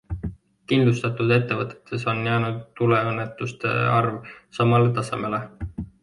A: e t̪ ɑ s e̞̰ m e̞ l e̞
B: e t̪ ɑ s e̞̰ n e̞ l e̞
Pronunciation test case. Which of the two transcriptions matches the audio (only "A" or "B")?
A